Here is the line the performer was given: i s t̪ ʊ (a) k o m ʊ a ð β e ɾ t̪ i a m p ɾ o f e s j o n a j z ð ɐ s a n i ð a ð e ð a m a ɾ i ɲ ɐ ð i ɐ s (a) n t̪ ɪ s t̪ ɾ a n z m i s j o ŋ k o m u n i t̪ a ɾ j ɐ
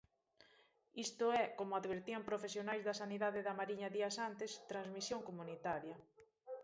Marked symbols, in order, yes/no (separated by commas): no, yes